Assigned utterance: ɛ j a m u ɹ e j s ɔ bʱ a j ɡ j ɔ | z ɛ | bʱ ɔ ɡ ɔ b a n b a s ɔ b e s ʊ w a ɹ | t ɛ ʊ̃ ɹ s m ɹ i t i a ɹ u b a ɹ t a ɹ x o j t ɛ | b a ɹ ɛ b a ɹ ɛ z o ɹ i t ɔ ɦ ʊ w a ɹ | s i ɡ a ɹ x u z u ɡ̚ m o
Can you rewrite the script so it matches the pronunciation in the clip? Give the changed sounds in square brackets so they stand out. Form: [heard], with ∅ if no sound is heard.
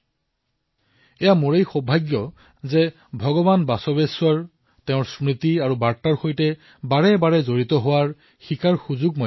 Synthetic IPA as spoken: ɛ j a m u ɹ e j [x] ɔ bʱ a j ɡ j ɔ | z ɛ | bʱ ɔ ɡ ɔ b a n b a s ɔ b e s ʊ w a ɹ | t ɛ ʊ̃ ɹ s m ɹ i t i a ɹ u b a ɹ t a ɹ x o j t ɛ | b a ɹ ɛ b a ɹ ɛ z o ɹ i t ɔ ɦ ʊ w a ɹ | [x] i [k] a ɹ x u z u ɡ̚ m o